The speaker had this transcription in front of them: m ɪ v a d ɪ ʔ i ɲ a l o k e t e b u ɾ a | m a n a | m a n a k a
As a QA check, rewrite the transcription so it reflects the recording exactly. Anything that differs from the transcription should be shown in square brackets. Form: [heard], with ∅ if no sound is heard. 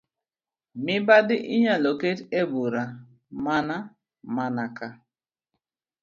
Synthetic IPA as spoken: m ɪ [b] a d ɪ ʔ i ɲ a l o k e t e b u ɾ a | m a n a | m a n a k a